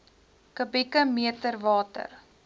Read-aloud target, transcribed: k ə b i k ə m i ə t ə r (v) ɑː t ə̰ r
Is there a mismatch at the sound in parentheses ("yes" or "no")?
no